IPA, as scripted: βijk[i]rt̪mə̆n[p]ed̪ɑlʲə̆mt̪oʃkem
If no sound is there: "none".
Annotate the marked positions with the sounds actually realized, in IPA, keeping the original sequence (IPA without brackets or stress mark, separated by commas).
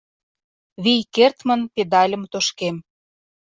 e, p